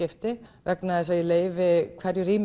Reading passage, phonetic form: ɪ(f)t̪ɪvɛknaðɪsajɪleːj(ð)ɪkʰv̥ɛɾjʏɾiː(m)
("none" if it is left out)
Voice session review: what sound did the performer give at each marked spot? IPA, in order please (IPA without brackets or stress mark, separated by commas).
f, v, m